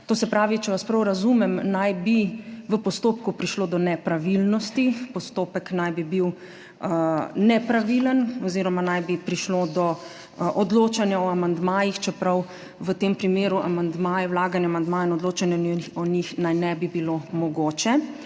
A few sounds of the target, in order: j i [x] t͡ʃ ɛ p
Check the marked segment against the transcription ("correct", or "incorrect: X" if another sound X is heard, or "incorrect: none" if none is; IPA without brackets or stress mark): correct